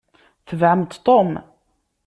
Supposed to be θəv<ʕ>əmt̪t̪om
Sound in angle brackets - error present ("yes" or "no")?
no